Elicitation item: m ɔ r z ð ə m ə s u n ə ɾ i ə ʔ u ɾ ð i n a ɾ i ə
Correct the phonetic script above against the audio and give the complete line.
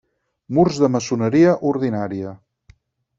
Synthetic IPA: m u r z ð ə m ə s u n ə ɾ i ə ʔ u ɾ ð i n a ɾ i ə

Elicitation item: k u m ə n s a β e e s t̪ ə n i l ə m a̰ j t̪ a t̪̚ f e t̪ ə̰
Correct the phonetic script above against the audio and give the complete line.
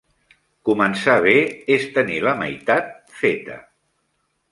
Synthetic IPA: k u m ə n s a β e e s t̪ ə n i l ə m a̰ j t̪ a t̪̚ f e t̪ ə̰

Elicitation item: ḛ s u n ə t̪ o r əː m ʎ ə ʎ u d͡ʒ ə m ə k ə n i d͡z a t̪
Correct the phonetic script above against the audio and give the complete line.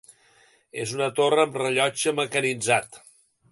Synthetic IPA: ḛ z u n ə t̪ o r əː m r ə ʎ ɔ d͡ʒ ə m ə k ə n i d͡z a t̪

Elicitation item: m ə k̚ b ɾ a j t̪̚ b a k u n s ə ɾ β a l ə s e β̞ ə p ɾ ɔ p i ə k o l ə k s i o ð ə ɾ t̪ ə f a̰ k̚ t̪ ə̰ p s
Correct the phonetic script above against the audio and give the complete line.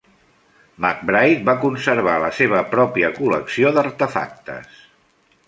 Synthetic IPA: m a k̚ b ɾ a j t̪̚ b a k u n s ə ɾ β a l ə s e β̞ ə p ɾ ɔ p i ə k u l ə k s i o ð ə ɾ t̪ ə f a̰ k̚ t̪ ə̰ s

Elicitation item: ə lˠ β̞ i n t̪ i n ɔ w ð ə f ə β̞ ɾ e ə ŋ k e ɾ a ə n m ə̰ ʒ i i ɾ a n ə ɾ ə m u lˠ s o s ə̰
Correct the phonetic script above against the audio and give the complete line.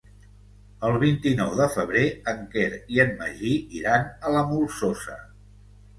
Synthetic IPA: ə lˠ β̞ i n t̪ i n ɔ w ð ə f ə β̞ ɾ e ə ŋ k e ɾ i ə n m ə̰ ʒ i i ɾ a n ə l ə m u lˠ s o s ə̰

